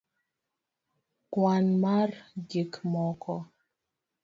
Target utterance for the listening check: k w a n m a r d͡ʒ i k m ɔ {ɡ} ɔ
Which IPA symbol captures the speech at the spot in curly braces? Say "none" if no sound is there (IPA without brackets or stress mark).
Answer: k